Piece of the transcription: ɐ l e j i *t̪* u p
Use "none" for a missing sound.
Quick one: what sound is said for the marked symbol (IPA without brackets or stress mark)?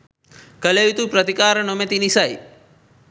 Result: t̪